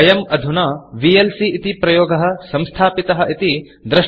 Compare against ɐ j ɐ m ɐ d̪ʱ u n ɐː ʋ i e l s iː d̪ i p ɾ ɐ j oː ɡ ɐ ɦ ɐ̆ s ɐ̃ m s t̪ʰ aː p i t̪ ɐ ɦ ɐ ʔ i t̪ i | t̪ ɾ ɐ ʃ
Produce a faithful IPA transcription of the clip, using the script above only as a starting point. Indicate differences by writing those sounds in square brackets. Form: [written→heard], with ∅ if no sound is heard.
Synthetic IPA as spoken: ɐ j ɐ m ɐ d̪ʱ u n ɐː ʋ i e l s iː [d̪→t̪] i p ɾ ɐ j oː ɡ ɐ ɦ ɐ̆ s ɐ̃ m s t̪ʰ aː p i t̪ ɐ ɦ ɐ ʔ i t̪ i | [t̪→d̪] ɾ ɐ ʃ